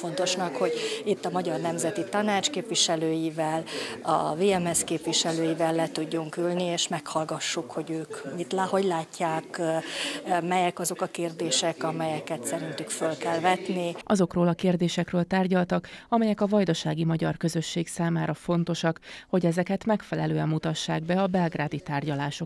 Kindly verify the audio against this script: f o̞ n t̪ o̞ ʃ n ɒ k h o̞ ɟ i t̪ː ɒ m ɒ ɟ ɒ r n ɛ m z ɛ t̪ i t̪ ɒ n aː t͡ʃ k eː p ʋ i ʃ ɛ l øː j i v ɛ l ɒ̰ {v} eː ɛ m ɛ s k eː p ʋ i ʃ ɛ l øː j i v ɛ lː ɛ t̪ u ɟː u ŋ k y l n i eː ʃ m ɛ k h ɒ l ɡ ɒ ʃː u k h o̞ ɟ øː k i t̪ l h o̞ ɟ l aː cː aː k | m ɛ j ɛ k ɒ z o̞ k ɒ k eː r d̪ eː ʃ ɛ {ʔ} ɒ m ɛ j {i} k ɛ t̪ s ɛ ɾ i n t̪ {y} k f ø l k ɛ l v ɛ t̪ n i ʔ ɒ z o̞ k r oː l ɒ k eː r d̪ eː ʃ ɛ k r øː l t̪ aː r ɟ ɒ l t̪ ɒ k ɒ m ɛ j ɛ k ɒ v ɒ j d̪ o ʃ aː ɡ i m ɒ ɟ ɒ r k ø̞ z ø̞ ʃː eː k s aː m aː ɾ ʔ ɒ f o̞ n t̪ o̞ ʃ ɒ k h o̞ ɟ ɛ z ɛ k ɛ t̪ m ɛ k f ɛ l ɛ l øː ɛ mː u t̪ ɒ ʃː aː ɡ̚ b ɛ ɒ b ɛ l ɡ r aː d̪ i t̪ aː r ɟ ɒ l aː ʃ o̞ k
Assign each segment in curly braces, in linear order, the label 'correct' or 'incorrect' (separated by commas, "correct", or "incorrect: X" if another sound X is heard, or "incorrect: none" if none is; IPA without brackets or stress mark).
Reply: correct, incorrect: k, incorrect: ɛ, correct